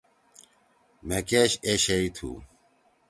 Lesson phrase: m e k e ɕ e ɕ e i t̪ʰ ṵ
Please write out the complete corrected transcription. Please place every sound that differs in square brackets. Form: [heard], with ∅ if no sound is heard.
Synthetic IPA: m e k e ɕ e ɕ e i t̪ʰ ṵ